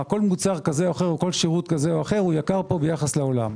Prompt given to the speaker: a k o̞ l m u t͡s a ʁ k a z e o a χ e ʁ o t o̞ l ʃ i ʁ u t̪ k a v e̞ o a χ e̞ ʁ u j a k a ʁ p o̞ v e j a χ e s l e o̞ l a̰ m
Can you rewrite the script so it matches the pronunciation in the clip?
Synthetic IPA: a k o̞ l m u t͡s a ʁ k a z e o a χ e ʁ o k o̞ l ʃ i ʁ u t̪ k a z e̞ o a χ e̞ ʁ u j a k a ʁ p o̞ b e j a χ a s l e o̞ l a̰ m